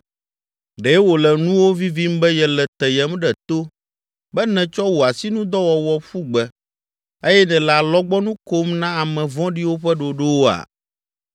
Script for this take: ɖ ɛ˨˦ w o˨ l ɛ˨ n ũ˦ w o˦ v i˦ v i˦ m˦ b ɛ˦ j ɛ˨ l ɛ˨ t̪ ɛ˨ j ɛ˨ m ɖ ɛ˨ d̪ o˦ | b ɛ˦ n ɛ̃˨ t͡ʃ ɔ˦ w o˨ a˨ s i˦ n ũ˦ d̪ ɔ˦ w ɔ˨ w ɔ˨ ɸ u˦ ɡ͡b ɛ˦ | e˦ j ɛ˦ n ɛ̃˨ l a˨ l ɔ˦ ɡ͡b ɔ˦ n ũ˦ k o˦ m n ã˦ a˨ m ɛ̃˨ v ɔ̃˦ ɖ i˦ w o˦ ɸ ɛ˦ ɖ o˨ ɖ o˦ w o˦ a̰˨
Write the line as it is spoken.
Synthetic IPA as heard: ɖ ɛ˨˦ w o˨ l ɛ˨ n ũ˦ w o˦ v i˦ v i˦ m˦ b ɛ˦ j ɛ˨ l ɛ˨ t̪ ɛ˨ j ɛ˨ m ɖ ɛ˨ t̪ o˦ | b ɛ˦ n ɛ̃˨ t͡ʃ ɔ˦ w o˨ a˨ s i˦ n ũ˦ d̪ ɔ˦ w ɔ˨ w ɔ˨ ɸ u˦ ɡ͡b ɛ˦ | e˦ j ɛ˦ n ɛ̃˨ l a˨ l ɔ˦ ɡ͡b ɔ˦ n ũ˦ k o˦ m n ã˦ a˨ m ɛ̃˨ v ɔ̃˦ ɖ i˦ w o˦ ɸ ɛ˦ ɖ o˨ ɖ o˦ w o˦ a̰˨